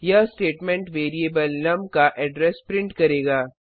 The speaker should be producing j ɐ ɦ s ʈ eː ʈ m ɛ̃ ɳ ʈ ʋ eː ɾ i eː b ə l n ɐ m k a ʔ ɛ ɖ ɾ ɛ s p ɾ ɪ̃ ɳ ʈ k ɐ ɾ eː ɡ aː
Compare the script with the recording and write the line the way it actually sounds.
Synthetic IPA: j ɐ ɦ s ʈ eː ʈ m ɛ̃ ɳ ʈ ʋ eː ɾ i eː b ə l n ɐ m k a ʔ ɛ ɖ ɾ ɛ s p ɾ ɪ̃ ɳ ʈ k ɐ ɾ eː ɡ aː